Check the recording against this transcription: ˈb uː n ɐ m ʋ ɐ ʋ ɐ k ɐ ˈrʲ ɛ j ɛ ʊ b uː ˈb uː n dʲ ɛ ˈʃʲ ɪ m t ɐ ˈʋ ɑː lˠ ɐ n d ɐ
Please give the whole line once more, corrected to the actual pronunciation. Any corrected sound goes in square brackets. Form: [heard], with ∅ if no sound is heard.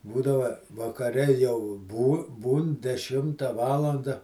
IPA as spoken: ˈb uː [d] ɐ [∅] ʋ ɐ ʋ ɐ k ɐ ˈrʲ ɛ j ɛ ʊ b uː ˈb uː n dʲ ɛ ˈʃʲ ɪ m t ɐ ˈʋ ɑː lˠ ɐ n d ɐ